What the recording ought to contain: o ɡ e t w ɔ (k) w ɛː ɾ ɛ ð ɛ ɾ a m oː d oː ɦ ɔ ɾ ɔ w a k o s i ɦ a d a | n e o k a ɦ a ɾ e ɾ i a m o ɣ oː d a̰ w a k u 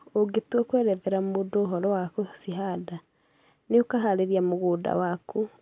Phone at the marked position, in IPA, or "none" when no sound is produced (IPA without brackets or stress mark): k